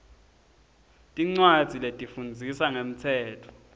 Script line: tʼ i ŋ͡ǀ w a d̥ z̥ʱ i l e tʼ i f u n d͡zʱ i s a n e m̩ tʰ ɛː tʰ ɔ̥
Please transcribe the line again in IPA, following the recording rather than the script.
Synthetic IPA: tʼ i ŋ͡ǀ w a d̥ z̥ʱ i l e tʼ i f u n d͡zʱ i s a ŋ e m̩ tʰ ɛː tʰ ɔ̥